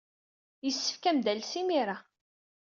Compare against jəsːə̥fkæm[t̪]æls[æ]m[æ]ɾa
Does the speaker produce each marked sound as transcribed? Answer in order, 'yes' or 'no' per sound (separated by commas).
no, no, no